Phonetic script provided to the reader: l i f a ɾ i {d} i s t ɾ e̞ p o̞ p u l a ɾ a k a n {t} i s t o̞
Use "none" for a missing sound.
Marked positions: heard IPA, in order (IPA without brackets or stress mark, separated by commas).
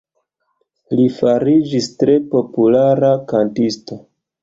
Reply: d͡ʒ, t